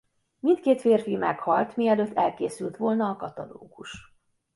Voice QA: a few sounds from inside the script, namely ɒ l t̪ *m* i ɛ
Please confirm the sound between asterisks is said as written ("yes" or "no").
yes